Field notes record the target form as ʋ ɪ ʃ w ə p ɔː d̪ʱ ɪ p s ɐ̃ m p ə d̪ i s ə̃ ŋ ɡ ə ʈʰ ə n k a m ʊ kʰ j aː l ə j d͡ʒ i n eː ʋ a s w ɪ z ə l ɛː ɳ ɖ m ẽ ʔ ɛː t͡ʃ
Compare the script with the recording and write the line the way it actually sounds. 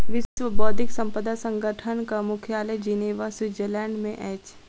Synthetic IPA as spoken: ʋ ɪ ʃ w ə b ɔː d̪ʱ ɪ k s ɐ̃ m p ə d̪ a s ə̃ ŋ ɡ ə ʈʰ ə n k a m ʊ kʰ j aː l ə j d͡ʒ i n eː ʋ a s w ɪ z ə l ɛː ɳ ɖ m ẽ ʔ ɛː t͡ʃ